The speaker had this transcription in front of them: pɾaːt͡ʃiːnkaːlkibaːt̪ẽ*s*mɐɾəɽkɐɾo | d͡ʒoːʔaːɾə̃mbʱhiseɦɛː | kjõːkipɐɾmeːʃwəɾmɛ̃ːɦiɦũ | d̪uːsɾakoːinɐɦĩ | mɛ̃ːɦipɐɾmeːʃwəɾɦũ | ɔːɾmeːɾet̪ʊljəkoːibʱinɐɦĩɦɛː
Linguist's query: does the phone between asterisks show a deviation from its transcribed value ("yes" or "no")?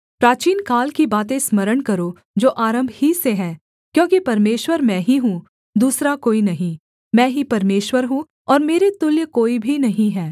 no